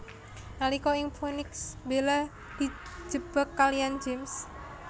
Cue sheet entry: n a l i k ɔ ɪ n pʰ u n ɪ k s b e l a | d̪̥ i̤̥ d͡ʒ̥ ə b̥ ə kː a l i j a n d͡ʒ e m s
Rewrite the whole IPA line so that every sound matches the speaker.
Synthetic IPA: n a l i k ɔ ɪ ŋ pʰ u n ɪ k s b e l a | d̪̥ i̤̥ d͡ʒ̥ ə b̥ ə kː a l i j a n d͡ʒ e m s